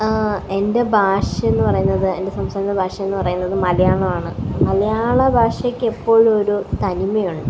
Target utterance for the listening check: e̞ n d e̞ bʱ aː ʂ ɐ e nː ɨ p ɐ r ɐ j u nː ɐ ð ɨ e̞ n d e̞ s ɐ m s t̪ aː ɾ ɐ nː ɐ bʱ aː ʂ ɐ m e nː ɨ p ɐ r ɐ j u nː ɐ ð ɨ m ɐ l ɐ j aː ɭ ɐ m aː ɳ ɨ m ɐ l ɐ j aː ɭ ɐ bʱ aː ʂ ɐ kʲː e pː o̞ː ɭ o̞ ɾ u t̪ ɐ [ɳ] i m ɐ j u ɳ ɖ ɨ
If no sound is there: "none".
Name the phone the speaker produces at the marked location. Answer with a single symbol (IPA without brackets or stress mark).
n